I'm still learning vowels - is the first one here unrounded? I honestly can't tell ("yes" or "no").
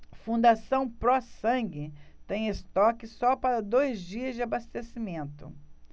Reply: no